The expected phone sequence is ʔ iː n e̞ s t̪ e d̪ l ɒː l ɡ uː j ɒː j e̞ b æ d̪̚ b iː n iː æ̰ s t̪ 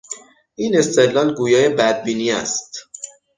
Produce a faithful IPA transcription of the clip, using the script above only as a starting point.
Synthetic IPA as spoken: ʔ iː n e̞ s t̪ e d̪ l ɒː l ɡ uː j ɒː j e̞ b æ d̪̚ b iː n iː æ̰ s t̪